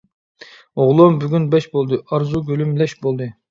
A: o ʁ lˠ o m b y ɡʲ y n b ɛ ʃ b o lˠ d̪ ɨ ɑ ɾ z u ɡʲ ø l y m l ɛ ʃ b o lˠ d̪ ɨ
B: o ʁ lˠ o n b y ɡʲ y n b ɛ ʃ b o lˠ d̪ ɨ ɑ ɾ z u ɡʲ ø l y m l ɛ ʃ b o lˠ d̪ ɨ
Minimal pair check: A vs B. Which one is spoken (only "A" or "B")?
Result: A